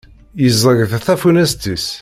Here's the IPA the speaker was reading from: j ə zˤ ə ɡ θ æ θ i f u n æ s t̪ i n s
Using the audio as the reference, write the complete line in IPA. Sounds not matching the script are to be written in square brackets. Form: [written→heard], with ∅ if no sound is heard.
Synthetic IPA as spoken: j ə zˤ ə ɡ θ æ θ [i→æ] f u n æ s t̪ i [n→∅] s